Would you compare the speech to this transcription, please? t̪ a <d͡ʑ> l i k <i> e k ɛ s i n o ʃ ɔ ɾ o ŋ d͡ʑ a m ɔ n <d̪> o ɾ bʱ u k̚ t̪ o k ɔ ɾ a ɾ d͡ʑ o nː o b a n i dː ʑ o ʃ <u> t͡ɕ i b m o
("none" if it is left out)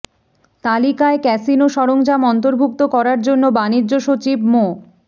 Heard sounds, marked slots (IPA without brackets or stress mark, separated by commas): none, a, t̪, o